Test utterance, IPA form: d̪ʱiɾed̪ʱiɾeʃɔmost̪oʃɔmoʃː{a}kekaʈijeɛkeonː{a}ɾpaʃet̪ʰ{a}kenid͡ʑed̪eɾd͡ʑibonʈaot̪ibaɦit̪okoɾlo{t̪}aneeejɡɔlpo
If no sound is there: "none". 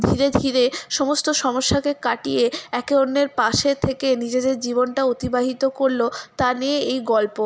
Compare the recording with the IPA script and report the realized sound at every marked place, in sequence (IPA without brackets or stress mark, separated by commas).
a, e, e, t̪